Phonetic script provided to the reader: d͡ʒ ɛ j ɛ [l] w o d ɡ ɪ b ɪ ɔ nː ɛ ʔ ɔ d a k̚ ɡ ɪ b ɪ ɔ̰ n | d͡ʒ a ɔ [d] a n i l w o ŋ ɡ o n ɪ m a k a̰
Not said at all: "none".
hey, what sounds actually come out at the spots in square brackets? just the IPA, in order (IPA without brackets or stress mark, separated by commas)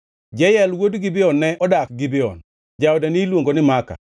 l, d